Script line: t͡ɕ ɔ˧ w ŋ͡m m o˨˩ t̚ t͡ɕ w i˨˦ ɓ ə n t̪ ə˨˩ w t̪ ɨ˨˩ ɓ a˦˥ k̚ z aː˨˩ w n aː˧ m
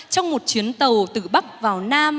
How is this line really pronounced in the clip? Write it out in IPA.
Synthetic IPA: t͡ɕ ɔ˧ w ŋ͡m m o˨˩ t̚ t͡ɕ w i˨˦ ə n t̪ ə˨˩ w t̪ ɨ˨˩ ɓ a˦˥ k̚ v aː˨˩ w n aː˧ m